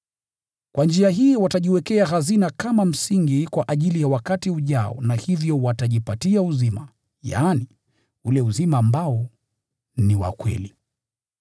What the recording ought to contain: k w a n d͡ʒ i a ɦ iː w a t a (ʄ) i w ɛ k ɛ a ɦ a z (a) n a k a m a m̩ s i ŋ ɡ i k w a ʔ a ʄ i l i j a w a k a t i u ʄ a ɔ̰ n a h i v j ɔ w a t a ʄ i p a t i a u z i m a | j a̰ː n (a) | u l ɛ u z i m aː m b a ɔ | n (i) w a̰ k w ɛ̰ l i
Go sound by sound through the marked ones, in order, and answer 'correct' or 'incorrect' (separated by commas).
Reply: correct, incorrect, incorrect, correct